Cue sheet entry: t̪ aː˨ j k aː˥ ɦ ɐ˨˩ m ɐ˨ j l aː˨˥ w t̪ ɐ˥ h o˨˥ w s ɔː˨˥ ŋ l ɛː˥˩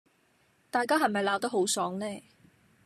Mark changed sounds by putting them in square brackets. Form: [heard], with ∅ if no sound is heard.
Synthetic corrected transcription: t̪ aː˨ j k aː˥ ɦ ɐ˨˩ m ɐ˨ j l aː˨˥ w t̪ ɐ˥ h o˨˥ w s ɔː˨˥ ŋ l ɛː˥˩